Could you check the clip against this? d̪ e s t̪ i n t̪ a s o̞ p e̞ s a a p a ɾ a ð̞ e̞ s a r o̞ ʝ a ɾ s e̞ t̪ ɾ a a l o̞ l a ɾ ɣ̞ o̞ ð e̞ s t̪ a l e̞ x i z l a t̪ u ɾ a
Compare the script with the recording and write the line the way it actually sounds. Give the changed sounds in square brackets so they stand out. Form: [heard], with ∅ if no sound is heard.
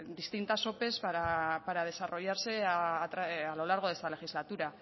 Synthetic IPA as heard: d̪ [i] s t̪ i n t̪ a s o̞ p e̞ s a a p a ɾ a ð̞ e̞ s a r o̞ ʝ a ɾ s e̞ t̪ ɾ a a l o̞ l a ɾ ɣ̞ o̞ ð e̞ s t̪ a l e̞ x i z l a t̪ u ɾ a

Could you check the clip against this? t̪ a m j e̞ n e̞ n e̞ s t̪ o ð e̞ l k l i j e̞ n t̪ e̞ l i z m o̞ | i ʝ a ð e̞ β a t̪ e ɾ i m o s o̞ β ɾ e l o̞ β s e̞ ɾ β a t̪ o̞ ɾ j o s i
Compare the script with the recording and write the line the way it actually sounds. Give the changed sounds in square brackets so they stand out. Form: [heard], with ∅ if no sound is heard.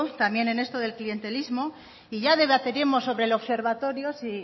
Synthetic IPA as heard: t̪ a m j e̞ n e̞ n e̞ s t̪ o ð e̞ l k l i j e̞ n t̪ e̞ l i z m o̞ | i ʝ a ð e̞ β a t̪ e ɾ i m o s o̞ β ɾ e l o̞ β s e̞ ɾ β a t̪ o̞ ɾ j o s i

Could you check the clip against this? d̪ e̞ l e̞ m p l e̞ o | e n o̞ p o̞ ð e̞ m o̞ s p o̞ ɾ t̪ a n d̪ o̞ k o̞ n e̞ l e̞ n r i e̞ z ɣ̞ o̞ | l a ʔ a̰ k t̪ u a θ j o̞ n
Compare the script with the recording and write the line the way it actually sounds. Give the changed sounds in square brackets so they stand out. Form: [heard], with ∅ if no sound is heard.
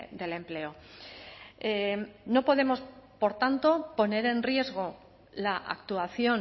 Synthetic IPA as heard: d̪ e̞ l e̞ m p l e̞ o | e n o̞ p o̞ ð e̞ m o̞ s p o̞ ɾ t̪ a n [t̪] o̞ [p] o̞ n e̞ [ɾ] e̞ n r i e̞ z ɣ̞ o̞ | l a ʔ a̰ k t̪ u a θ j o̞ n

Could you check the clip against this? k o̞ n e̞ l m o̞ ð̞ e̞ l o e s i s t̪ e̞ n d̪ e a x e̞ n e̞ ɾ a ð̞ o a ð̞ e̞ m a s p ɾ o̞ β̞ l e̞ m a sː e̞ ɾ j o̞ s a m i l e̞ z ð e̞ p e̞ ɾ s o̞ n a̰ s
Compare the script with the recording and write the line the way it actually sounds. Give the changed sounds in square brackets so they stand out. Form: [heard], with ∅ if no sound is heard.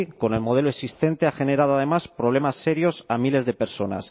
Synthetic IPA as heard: k o̞ n e̞ l m o̞ ð̞ e̞ l o e s i s t̪ e̞ n [t̪] e a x e̞ n e̞ ɾ a ð̞ o a ð̞ e̞ m a s p ɾ o̞ β̞ l e̞ m a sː e̞ ɾ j o̞ s a m i l e̞ z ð e̞ p e̞ ɾ s o̞ n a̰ s

